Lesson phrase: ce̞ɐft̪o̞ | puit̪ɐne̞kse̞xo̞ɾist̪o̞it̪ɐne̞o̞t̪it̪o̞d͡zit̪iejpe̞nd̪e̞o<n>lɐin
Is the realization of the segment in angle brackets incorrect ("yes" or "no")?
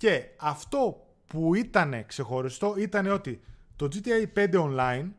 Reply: no